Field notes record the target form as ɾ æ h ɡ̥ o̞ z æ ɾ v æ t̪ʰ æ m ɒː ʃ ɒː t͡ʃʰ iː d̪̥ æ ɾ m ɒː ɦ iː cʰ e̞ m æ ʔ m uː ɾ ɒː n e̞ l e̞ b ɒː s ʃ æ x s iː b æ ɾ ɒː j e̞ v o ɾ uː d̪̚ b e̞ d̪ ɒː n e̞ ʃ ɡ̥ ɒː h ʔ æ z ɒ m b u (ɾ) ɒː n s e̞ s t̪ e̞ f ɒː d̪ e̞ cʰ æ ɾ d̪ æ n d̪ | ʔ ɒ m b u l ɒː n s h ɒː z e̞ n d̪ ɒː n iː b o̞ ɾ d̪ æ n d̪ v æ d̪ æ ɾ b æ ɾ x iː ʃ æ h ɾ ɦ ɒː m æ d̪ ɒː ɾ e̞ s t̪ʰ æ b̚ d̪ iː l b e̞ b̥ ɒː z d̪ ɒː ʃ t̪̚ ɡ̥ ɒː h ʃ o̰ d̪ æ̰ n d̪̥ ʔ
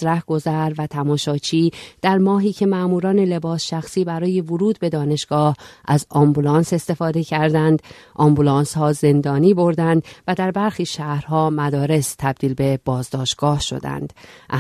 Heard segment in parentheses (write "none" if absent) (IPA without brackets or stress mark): l